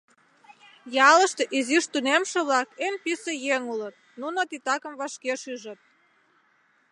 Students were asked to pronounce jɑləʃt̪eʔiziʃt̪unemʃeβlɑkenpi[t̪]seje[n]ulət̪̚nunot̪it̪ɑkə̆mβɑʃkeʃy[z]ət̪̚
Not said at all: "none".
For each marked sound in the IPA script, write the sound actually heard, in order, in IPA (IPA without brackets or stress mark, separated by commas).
none, ŋ, ʒ